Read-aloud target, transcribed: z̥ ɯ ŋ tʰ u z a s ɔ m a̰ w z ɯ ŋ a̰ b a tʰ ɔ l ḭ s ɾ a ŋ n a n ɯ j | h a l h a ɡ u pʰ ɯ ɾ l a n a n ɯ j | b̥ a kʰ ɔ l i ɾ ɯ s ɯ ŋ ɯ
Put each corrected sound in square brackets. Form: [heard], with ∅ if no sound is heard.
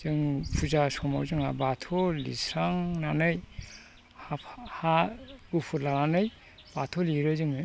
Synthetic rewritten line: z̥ ɯ ŋ [pʰ] u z a s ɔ m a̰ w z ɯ ŋ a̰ b a tʰ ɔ l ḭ s ɾ a ŋ n a n ɯ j | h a [∅] h a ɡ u pʰ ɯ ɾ l a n a n ɯ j | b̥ a [tʰ] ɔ l i ɾ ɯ [z] ɯ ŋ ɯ